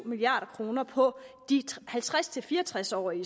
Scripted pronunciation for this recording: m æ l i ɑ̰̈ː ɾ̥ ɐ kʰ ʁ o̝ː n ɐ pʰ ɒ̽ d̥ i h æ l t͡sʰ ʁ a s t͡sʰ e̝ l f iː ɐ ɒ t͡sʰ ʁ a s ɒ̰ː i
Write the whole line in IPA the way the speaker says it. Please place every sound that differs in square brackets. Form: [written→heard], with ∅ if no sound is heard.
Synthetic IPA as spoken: m [æ→i] l i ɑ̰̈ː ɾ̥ ɐ kʰ ʁ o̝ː n ɐ pʰ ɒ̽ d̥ i h æ l t͡sʰ ʁ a s t͡sʰ e̝ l f iː ɐ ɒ t͡sʰ ʁ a s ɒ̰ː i